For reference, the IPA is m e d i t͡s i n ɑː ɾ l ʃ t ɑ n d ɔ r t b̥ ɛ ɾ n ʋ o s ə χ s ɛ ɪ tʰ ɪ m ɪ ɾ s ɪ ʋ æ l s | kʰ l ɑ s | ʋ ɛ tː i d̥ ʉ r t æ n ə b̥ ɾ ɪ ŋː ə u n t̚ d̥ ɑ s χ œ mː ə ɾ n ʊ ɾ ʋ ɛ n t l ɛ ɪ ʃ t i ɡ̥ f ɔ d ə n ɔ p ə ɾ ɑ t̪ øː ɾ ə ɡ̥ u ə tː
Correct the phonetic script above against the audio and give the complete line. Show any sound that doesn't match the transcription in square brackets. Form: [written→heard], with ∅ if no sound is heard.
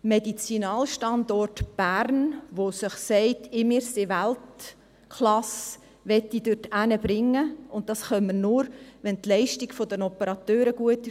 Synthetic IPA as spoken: m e d i t͡s i n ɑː [ɾ→∅] l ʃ t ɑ n d ɔ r t b̥ [ɛ→æ] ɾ n ʋ o s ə χ s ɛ ɪ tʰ ɪ m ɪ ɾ s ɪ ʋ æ l [s→t] | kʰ l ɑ s | ʋ ɛ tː i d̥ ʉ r t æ n ə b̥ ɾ ɪ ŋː ə [u→ʊ] n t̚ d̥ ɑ s χ œ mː ə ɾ n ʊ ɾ ʋ ɛ n t l ɛ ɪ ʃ t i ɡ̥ f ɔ d ə n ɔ p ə ɾ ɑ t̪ øː ɾ ə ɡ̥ u ə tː